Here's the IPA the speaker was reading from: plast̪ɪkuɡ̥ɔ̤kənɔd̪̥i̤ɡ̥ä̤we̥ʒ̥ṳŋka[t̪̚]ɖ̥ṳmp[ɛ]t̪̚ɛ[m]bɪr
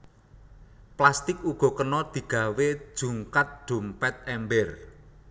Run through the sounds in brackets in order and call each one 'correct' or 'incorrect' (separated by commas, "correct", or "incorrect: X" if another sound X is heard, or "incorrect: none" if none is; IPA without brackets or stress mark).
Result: correct, correct, correct